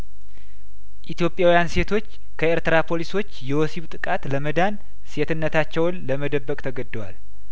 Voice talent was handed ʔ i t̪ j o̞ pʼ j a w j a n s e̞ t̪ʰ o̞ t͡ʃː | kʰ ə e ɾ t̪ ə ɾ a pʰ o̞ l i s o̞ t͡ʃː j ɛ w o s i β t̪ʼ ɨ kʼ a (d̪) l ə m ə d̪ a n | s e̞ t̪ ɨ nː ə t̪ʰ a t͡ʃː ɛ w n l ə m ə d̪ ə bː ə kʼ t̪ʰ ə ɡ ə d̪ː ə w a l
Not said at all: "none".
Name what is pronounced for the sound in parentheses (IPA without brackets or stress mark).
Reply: t̪